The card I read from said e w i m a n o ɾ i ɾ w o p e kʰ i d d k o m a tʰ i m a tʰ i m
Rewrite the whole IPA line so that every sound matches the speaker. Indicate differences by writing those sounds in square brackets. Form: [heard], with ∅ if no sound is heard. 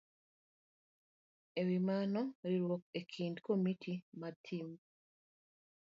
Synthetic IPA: e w i m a n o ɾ i ɾ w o [k] e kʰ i [n] d k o m [i] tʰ i m a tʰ i m